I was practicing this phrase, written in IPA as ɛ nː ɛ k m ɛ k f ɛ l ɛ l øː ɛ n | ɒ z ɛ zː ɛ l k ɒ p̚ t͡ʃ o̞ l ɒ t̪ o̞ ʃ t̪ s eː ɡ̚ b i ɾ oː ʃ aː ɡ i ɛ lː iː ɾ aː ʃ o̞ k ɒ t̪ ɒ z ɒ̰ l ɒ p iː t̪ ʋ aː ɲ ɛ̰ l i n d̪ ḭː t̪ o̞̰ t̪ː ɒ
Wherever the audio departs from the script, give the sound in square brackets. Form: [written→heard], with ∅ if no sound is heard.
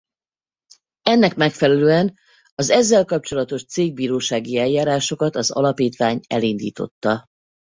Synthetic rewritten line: ɛ nː ɛ k m ɛ k f ɛ l ɛ l øː ɛ n | ɒ z ɛ zː ɛ l k ɒ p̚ t͡ʃ o̞ l ɒ t̪ o̞ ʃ t̪ s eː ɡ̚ b [i→iː] ɾ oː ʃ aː ɡ i ɛ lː [iː→aː] ɾ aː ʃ o̞ k ɒ t̪ ɒ z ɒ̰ l ɒ p iː t̪ ʋ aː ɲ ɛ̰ l i n d̪ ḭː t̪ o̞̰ t̪ː ɒ